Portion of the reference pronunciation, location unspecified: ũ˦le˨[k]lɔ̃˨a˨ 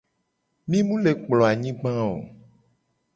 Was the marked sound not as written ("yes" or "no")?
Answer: yes